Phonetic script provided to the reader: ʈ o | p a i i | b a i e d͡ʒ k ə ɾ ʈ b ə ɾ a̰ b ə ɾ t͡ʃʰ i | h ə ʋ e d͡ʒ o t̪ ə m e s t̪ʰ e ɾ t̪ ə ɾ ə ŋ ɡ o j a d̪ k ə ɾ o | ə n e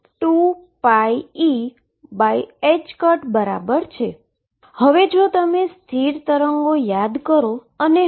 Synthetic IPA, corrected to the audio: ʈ u | p a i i | b a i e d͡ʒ k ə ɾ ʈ b ə ɾ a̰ b ə ɾ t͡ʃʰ e | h ə ʋ e d͡ʒ o t̪ ə m e s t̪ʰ i ɾ t̪ ə ɾ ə ŋ ɡ o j a d̪ k ə ɾ o | ə n e